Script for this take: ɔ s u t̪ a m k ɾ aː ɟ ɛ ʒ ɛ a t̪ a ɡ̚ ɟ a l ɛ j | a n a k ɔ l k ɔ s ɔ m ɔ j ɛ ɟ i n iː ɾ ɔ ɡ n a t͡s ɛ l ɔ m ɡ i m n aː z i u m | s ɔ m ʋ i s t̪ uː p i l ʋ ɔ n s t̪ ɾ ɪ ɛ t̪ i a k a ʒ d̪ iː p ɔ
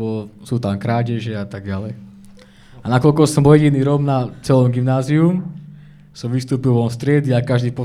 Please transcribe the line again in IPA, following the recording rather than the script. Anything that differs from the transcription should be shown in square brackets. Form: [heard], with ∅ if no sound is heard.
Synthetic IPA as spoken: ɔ s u t̪ a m k ɾ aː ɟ ɛ ʒ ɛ a t̪ a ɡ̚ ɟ a l ɛ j | a n a k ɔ l k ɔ s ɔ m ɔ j ɛ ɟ i n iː ɾ ɔ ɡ n a t͡s ɛ l ɔ m ɡ i m n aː z i u m | s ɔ m ʋ i s t̪ uː p i l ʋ ɔ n s t̪ ɾ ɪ ɛ [d̪] i a k a ʒ d̪ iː p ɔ